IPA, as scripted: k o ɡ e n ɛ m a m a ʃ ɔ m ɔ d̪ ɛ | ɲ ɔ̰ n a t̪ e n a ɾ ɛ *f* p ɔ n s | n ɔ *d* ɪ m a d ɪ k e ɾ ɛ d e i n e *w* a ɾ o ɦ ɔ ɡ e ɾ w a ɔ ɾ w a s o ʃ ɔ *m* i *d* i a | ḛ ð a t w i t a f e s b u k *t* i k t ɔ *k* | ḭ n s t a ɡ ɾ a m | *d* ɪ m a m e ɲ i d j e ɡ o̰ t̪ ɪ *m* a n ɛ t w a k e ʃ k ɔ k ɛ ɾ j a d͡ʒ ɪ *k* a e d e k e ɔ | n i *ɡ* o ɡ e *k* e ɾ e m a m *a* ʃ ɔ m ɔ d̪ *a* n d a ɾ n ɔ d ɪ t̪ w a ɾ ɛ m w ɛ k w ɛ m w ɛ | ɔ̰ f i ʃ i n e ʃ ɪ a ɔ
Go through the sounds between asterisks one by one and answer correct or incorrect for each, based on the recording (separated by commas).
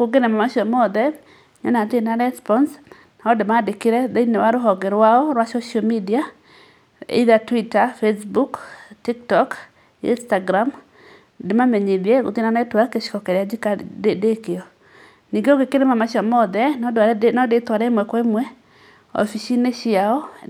incorrect, correct, correct, correct, correct, correct, correct, correct, incorrect, correct, correct, correct, correct, incorrect